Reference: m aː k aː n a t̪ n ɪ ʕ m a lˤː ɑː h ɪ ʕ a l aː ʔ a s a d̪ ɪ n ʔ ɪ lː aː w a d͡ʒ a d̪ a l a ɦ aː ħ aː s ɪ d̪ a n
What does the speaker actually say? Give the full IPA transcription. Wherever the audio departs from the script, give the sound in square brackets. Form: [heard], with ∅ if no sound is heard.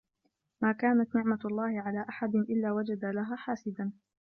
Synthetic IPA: m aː k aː n a t̪ n ɪ ʕ m a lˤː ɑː h ɪ ʕ a l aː ʔ a [ħ] a d̪ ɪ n ʔ ɪ lː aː w a d͡ʒ a d̪ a l a ɦ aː ħ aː s ɪ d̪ a n